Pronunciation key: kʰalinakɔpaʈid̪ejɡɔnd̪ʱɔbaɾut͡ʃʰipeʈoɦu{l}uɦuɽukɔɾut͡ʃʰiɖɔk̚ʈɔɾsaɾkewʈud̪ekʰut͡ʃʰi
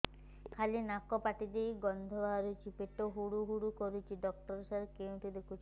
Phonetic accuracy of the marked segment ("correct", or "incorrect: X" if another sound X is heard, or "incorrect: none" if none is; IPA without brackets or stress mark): incorrect: ɽ